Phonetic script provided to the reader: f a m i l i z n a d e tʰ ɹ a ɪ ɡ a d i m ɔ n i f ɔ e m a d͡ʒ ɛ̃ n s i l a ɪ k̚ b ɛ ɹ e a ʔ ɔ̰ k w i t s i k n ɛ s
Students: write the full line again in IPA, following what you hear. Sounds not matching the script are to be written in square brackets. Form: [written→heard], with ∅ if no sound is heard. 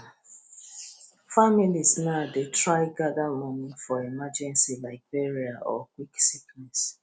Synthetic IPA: f a m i l i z n a d e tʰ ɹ a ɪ ɡ a d [i→a] m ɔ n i f ɔ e m a d͡ʒ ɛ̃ n s i l a ɪ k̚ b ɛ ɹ [e→i] a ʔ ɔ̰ k w i [t→k] s i k n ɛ s